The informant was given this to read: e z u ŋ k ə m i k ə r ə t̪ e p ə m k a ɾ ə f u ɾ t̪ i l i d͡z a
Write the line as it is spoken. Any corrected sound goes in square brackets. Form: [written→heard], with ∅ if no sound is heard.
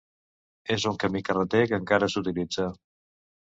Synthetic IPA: e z u ŋ k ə m i k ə r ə t̪ e [p→k] ə [m→ŋ] k a ɾ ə [f→s] u [ɾ→∅] t̪ i l i d͡z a